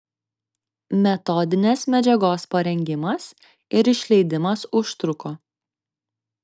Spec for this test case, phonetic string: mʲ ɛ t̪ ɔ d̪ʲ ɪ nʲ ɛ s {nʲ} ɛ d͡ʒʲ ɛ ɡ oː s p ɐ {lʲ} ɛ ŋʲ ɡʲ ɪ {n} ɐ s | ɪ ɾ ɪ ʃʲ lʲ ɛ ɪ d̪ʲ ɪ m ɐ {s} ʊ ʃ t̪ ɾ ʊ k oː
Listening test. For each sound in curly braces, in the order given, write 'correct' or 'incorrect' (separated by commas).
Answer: incorrect, incorrect, incorrect, correct